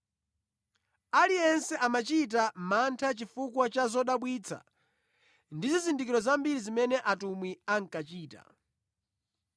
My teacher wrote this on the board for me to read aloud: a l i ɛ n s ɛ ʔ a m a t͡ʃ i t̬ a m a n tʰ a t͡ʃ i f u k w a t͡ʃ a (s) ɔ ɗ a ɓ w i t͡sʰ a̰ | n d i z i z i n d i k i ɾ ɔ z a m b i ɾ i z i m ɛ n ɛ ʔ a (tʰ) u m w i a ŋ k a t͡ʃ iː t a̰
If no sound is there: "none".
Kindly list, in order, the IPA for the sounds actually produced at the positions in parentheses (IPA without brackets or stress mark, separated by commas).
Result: z, t